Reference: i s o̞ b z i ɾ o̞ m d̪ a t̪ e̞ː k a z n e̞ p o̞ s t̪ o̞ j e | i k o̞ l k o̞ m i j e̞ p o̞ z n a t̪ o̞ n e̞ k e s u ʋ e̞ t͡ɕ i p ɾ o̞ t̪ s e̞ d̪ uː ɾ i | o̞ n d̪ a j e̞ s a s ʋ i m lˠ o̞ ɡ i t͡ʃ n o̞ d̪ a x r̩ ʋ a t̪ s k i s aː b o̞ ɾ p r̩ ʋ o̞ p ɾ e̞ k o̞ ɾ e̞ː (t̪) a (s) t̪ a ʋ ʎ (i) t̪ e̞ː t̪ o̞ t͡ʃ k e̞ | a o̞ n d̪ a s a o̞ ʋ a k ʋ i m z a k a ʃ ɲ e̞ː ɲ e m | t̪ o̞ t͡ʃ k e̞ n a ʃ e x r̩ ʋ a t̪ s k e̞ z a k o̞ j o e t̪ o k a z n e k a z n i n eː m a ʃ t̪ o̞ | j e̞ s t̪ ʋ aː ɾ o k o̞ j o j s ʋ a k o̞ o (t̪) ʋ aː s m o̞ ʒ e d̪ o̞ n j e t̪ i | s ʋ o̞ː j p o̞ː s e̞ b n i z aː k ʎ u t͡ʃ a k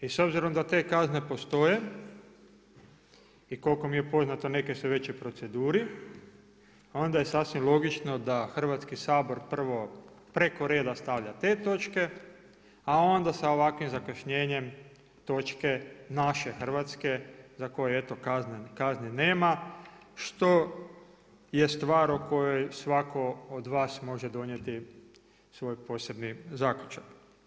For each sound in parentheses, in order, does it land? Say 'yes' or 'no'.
no, yes, no, no

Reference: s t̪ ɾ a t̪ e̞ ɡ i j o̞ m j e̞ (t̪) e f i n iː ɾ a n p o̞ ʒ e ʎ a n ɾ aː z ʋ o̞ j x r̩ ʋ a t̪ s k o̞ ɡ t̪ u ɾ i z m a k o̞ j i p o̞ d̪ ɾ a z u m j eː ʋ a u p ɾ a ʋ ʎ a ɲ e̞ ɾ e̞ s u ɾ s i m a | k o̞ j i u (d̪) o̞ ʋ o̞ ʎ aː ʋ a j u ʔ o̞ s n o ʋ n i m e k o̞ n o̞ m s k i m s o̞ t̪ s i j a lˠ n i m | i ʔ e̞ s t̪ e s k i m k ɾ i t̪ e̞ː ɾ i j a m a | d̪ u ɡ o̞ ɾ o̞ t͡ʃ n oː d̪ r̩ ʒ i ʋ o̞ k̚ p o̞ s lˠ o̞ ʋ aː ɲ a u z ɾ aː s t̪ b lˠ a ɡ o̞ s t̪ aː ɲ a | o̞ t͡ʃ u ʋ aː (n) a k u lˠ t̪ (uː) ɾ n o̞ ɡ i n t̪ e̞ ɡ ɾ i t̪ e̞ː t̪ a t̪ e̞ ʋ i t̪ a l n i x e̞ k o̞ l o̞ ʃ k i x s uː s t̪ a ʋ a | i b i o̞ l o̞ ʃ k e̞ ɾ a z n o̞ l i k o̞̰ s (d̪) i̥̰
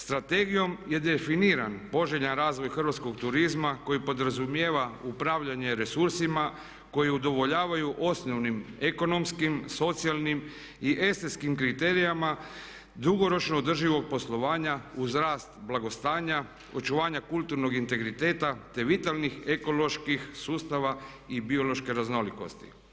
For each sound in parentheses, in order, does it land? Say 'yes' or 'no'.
no, yes, no, no, no

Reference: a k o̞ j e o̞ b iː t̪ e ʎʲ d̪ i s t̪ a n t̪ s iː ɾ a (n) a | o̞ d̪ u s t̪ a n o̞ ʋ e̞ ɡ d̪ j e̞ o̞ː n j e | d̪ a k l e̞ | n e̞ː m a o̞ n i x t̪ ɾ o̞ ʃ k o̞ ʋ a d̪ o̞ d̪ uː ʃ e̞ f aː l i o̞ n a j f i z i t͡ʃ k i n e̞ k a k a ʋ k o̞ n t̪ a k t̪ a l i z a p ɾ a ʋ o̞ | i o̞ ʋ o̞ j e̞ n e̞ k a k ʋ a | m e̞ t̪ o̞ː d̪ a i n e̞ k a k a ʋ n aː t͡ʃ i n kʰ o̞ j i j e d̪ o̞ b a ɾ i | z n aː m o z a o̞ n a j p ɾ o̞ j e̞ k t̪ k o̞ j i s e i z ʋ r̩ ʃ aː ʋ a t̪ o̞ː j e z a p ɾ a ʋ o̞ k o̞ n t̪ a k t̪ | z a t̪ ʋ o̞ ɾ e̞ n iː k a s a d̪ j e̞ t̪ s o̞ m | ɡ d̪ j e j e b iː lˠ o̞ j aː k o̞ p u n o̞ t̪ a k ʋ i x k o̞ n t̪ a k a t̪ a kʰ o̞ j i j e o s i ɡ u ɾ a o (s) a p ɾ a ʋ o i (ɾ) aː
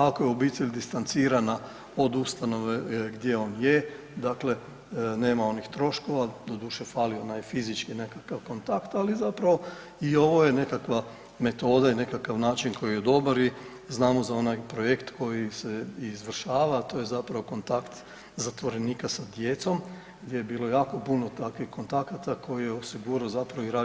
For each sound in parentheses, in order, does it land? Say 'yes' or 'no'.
yes, no, yes

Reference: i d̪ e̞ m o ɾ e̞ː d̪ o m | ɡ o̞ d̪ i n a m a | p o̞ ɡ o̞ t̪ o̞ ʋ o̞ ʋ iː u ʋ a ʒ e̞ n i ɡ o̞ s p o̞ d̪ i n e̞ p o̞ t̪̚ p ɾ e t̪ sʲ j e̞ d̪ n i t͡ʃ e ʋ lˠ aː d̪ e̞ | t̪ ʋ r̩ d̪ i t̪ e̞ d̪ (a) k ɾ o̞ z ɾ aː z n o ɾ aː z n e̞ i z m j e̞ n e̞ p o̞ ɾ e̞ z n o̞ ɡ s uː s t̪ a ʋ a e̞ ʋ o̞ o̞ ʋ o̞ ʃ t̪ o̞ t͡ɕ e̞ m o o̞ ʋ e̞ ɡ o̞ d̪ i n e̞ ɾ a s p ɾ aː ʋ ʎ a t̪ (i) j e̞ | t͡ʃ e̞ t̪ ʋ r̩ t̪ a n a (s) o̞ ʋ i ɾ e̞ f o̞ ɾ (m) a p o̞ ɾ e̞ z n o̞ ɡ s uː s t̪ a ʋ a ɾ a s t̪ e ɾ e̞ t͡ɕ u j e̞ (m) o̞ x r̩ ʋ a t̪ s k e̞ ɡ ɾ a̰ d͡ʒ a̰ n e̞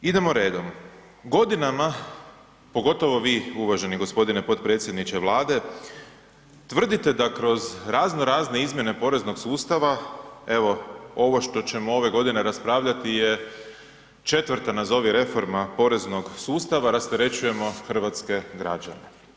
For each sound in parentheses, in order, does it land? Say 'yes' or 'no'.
yes, yes, no, yes, yes

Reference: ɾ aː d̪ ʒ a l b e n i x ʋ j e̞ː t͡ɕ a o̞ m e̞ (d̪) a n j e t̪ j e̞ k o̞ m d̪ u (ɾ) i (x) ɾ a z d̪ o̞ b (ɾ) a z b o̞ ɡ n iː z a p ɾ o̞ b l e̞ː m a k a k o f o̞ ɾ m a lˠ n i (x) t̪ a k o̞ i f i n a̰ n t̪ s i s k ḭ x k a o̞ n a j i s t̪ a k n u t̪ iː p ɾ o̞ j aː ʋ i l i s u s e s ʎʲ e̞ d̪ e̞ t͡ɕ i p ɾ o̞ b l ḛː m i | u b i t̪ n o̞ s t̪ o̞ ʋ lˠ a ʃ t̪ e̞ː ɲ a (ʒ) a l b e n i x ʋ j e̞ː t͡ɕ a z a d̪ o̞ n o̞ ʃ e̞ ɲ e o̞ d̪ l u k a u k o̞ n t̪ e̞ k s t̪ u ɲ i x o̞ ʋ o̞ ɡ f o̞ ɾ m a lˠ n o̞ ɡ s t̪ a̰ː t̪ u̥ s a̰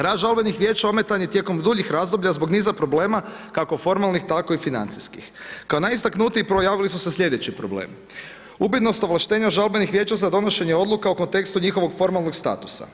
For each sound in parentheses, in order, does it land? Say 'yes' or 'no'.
no, no, yes, no, yes, yes

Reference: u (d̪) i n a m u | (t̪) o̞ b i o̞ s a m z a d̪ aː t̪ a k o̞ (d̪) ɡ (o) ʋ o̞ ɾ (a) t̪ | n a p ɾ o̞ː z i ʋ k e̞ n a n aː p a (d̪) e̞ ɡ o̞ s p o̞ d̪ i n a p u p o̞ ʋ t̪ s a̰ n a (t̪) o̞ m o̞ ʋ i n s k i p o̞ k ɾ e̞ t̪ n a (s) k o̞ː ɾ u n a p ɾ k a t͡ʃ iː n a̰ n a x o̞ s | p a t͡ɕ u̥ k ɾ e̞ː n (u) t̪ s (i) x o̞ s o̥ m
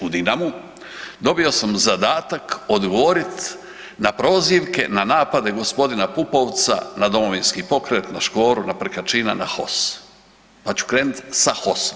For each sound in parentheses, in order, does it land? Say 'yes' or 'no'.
yes, no, yes, yes, no, yes, no, no, yes, no

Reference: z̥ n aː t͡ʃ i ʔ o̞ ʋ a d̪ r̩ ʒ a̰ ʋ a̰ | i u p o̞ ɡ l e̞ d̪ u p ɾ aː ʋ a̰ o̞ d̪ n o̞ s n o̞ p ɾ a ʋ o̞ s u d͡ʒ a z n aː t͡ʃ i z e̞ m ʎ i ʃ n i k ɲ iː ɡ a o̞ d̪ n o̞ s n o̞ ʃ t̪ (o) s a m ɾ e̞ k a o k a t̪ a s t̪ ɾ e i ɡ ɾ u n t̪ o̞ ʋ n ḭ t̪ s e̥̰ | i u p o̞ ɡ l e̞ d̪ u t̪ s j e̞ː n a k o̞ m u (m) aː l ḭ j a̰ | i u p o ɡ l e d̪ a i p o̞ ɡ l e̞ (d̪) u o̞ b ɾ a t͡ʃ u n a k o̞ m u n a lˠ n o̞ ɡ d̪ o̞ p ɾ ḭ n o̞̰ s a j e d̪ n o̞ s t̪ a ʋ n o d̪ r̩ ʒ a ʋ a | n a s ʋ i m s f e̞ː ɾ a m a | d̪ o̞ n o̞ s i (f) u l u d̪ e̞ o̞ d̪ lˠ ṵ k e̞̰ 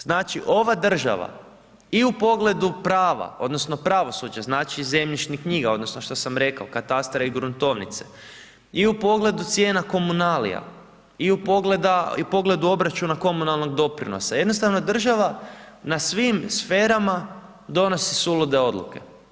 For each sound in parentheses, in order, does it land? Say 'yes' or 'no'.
yes, no, yes, no

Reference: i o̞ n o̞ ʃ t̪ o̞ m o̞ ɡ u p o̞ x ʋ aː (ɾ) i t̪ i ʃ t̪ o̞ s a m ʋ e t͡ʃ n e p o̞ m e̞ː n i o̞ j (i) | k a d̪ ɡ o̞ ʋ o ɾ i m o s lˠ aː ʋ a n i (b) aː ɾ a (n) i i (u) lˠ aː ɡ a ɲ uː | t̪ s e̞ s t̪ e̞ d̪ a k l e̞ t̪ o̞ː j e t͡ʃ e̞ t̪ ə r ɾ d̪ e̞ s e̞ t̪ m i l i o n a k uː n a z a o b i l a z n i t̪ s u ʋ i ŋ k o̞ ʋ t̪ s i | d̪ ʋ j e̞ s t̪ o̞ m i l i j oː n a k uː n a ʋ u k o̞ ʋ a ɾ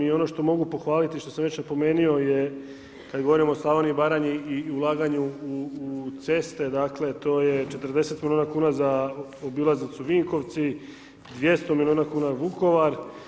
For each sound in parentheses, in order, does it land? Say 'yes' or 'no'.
no, no, yes, no, yes

